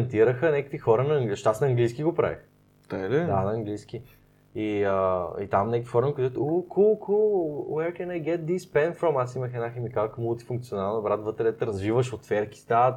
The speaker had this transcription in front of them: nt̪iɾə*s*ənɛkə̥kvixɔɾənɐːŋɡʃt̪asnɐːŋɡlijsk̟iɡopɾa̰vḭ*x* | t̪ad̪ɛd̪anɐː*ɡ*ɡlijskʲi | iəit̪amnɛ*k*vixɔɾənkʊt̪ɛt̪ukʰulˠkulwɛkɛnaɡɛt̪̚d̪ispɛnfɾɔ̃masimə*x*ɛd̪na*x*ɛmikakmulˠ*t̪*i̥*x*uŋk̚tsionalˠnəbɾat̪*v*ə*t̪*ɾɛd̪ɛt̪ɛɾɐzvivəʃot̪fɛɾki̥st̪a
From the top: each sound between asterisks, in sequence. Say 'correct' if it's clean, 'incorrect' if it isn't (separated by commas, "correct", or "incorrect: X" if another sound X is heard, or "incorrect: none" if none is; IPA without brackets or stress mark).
incorrect: x, correct, incorrect: ŋ, correct, correct, correct, correct, incorrect: f, correct, correct